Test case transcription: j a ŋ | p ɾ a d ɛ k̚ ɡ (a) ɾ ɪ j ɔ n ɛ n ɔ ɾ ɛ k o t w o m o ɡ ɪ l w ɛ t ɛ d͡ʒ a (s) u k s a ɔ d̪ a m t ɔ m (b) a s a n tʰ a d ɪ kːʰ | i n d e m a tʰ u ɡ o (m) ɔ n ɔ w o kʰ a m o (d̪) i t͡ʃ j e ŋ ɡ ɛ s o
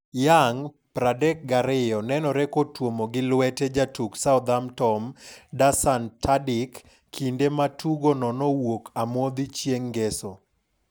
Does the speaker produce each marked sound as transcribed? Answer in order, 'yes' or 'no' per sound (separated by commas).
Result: yes, no, no, no, yes